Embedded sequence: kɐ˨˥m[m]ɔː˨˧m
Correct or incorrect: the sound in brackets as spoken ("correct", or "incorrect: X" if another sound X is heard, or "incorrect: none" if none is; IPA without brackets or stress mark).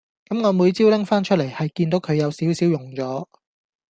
incorrect: ŋ